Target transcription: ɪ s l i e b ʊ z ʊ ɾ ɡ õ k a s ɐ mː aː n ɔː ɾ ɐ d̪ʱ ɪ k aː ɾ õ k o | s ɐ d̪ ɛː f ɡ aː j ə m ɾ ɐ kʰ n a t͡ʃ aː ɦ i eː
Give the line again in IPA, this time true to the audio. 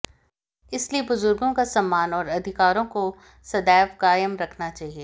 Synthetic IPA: ɪ s l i e b ʊ z ʊ ɾ ɡ õ k a s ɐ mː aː n ɔː ɾ ɐ d̪ʱ ɪ k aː ɾ õ k o | s ɐ d̪ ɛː f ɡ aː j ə m ɾ ɐ kʰ n a t͡ʃ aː ɦ i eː